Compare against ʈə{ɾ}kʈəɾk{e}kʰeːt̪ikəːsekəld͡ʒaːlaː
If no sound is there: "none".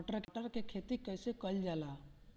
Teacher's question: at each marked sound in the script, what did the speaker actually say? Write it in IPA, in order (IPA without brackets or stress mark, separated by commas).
ɾ, e